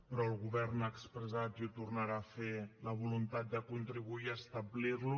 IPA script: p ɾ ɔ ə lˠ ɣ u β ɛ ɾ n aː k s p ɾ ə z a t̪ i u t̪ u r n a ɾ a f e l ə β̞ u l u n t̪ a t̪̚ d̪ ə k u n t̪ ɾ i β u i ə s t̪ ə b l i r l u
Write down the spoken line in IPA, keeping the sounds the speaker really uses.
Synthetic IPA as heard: p ɾ ɔ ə lˠ ɣ u β ɛ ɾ n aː k s p ɾ ə z a t̪ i u t̪ u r n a ɾ a f e l ə β̞ u l u n t̪ a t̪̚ d̪ ə k u n t̪ ɾ i β u i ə s t̪ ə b l i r l u